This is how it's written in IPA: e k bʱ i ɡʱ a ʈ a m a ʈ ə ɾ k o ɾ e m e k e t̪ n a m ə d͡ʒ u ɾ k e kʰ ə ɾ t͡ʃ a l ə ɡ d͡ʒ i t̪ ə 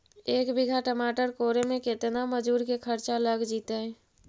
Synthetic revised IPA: e k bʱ i ɡʱ a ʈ ə m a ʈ ə ɾ k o ɾ e m e k e t̪ n a m ə d͡ʒ u ɾ k e kʰ ə ɾ t͡ʃ a l ə ɡ d͡ʒ i t̪ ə